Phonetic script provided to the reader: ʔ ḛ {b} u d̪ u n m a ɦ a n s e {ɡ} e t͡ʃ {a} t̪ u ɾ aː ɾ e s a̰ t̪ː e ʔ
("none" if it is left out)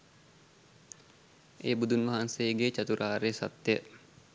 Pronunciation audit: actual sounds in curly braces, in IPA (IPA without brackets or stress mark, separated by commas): b, ɡ, a